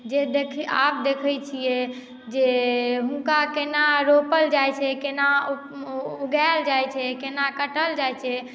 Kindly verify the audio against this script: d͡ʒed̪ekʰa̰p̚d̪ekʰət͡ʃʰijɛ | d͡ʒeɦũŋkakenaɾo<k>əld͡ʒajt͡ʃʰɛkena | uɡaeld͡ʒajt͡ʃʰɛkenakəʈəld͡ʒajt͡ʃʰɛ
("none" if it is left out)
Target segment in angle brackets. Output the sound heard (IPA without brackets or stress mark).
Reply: p